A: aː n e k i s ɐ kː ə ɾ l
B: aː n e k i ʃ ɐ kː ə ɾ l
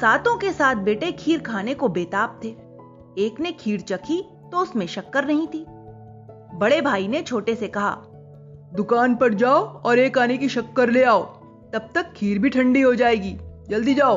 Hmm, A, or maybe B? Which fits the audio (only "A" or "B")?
B